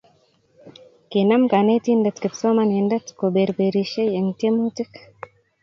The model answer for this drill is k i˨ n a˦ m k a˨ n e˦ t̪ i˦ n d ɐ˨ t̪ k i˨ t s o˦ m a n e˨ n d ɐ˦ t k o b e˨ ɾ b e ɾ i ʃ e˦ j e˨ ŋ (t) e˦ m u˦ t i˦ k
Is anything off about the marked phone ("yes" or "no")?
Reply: no